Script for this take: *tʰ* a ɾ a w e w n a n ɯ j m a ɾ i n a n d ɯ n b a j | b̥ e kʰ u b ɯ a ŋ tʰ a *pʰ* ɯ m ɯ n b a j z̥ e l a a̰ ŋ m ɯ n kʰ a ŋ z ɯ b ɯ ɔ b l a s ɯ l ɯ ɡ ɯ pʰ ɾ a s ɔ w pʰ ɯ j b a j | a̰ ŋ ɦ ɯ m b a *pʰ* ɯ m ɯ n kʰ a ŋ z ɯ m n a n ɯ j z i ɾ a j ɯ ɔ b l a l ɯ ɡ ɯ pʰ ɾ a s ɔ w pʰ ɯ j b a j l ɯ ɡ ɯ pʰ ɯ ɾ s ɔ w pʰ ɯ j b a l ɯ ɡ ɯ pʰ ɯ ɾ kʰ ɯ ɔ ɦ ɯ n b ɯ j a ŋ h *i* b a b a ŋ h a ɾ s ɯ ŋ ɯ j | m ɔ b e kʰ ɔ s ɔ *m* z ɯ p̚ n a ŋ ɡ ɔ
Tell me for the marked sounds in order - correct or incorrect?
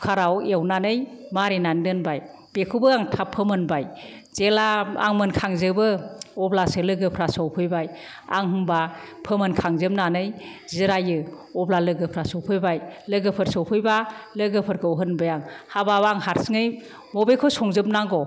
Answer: incorrect: kʰ, correct, correct, incorrect: a, incorrect: ŋ

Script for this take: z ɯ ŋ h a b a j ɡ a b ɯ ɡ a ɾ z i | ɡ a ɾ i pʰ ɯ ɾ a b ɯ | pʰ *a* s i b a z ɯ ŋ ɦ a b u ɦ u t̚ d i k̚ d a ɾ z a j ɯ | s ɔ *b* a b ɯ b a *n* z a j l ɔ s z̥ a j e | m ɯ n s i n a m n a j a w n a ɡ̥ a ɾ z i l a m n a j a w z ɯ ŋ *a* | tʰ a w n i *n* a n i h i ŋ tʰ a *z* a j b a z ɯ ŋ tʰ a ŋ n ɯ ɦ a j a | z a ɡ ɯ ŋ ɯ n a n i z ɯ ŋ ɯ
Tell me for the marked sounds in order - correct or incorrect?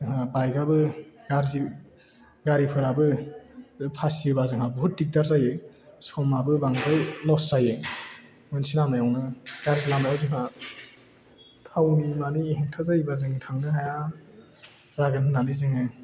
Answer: correct, incorrect: m, incorrect: ŋ, correct, incorrect: m, correct

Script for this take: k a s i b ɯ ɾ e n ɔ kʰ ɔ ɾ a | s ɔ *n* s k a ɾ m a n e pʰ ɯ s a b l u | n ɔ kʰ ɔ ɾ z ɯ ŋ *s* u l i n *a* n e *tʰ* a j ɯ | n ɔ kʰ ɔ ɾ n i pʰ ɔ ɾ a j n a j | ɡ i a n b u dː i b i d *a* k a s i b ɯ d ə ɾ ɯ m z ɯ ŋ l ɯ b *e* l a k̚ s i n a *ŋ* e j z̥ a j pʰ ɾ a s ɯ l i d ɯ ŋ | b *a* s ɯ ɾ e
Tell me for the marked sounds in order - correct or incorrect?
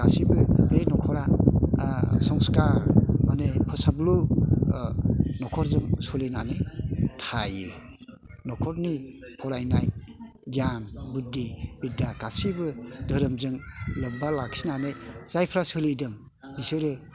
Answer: incorrect: ŋ, correct, correct, correct, correct, incorrect: a, incorrect: n, incorrect: i

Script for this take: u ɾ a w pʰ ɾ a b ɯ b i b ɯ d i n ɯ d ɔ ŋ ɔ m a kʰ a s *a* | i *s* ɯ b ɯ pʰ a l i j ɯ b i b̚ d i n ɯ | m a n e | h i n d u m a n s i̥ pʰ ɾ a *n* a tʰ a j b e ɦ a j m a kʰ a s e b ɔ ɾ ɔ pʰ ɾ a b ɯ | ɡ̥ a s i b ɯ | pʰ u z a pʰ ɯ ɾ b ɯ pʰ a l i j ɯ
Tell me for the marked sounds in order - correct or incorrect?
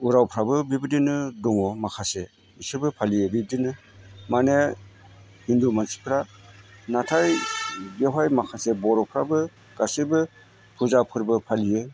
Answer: incorrect: e, correct, correct

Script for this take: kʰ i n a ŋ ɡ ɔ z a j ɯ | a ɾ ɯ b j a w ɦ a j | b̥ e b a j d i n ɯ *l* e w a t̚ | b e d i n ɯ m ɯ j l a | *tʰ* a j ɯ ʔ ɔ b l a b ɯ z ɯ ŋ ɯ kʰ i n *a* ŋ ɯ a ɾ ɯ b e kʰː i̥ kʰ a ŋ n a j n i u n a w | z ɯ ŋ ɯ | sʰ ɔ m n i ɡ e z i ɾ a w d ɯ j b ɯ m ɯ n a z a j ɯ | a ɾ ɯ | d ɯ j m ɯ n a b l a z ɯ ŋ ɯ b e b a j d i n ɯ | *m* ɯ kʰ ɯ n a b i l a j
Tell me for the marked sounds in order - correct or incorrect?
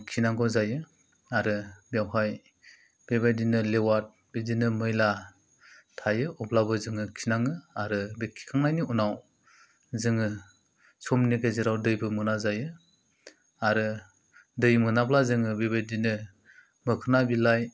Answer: correct, correct, correct, correct

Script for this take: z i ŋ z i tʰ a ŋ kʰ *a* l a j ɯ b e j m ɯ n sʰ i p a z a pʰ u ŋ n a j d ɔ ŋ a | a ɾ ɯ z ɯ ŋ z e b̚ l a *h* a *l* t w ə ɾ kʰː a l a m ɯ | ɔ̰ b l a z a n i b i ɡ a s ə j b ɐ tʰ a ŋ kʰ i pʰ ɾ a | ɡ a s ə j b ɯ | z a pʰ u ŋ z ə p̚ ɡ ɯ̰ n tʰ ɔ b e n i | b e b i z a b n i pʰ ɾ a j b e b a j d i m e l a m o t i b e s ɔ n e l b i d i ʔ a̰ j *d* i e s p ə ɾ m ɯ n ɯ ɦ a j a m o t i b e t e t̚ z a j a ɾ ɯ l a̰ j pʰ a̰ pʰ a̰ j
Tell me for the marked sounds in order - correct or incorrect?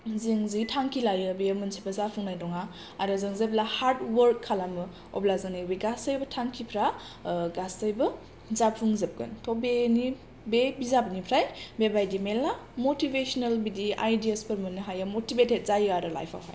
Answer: incorrect: i, correct, incorrect: ɾ, correct

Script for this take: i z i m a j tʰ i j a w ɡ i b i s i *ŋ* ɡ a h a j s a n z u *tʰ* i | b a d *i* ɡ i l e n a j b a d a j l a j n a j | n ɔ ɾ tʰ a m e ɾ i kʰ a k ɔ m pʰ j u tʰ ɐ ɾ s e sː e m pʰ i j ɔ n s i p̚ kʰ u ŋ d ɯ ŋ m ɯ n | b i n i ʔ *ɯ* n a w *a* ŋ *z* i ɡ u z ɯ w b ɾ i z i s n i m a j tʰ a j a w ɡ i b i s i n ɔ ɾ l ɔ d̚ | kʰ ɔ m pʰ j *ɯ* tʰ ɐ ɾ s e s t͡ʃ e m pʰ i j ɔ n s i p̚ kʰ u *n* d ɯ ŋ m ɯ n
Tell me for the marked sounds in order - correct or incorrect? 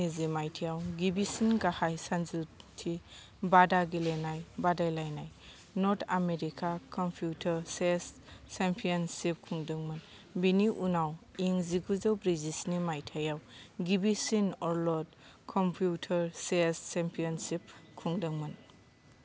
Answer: incorrect: n, correct, incorrect: a, incorrect: u, incorrect: i, correct, incorrect: u, incorrect: ŋ

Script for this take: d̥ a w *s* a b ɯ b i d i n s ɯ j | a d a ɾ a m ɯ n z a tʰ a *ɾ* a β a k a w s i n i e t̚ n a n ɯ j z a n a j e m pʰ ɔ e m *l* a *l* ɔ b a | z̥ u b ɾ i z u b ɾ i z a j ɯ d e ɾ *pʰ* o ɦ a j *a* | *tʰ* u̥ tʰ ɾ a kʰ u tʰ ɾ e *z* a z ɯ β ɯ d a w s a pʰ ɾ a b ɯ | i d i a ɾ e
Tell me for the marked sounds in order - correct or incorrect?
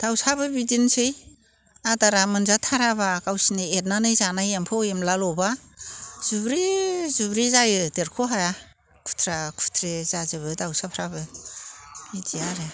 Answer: correct, correct, correct, correct, incorrect: kʰ, correct, incorrect: kʰ, correct

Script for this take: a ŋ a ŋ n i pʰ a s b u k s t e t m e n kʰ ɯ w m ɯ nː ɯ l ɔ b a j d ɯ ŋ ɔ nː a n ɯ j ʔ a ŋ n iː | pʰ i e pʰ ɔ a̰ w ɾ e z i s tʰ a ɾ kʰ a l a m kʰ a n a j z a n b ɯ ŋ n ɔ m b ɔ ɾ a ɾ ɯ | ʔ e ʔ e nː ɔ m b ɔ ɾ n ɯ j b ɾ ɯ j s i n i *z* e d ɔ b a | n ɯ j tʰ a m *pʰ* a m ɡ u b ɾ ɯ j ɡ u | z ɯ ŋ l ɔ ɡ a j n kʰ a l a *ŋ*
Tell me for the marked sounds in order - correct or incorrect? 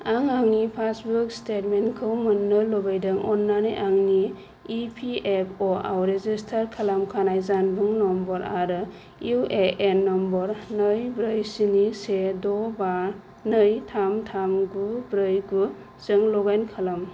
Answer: incorrect: s, incorrect: tʰ, incorrect: m

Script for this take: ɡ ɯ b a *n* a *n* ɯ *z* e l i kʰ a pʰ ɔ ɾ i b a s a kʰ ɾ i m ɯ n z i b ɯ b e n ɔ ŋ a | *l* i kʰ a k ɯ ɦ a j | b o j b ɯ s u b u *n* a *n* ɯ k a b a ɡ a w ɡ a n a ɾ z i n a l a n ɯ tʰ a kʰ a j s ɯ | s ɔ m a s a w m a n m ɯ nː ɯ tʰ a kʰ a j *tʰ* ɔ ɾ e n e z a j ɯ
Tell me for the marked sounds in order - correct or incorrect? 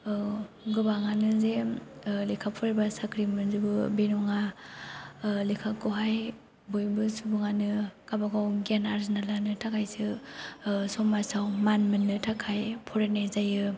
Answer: incorrect: ŋ, correct, correct, correct, incorrect: ŋ, correct, incorrect: pʰ

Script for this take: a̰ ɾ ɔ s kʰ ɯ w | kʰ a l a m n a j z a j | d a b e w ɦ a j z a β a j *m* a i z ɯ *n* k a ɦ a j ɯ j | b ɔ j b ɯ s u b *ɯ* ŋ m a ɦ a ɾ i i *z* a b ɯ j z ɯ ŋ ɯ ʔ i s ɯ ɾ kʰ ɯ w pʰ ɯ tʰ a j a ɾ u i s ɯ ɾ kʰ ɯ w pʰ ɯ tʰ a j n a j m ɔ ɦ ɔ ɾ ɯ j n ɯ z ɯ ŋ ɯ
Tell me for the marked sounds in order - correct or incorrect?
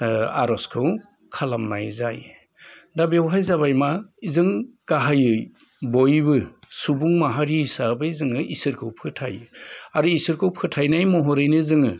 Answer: correct, incorrect: ŋ, incorrect: u, incorrect: s

